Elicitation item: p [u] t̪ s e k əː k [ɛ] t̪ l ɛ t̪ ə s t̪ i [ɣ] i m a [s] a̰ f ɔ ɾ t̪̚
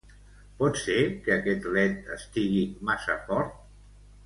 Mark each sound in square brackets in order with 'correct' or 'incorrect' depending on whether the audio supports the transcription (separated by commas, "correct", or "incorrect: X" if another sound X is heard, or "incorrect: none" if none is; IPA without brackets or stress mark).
incorrect: ɔ, correct, correct, correct